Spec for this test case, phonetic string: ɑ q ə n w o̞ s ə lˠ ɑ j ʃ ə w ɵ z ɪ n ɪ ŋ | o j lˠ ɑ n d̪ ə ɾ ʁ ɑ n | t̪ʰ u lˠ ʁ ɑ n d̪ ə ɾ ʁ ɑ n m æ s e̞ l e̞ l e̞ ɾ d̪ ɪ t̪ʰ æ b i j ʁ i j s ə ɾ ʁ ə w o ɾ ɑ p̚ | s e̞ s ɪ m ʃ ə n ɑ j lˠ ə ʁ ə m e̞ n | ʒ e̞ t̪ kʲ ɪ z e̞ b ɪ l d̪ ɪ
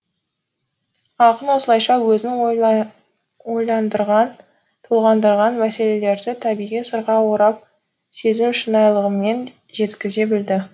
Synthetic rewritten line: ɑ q ə n w o̞ s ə lˠ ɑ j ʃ ɑ w ɵ z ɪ n ɪ ŋ | o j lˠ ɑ n d̪ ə ɾ ʁ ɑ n | t̪ʰ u lˠ ʁ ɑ n d̪ ə ɾ ʁ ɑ n m æ s e̞ l e̞ l e̞ ɾ d̪ ɪ t̪ʰ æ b i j ʁ i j s ə ɾ ʁ ɑ w o ɾ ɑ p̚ | s e̞ z ɪ m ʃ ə n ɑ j lˠ ə ʁ ə m e̞ n | ʒ e̞ t̪ kʲ ɪ z e̞ b ɪ l d̪ ɪ